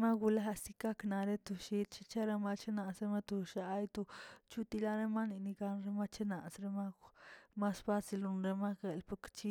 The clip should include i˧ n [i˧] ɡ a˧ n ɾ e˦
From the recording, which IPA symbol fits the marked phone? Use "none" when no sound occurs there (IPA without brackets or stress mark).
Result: i˧